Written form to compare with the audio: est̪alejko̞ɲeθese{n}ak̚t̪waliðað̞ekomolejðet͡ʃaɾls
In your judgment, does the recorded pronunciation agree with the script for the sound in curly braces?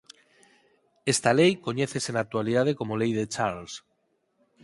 yes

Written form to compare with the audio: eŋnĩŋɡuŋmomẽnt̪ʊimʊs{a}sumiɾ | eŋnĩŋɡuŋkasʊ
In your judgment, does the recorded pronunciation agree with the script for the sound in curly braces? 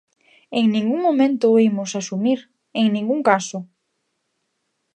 yes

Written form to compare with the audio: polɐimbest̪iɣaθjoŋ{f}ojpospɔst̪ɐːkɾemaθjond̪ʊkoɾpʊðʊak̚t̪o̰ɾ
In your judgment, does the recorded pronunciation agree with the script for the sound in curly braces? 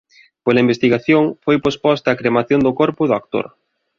yes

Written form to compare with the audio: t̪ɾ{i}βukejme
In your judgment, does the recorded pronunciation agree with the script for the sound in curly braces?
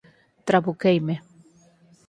no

